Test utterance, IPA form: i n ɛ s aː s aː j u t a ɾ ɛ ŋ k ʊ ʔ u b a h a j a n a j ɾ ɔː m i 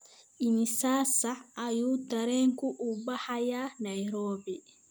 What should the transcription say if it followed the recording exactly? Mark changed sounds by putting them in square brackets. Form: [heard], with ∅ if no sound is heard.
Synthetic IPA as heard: i n [i] s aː s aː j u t a ɾ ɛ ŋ k [u] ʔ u b a h a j a n a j ɾ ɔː [b] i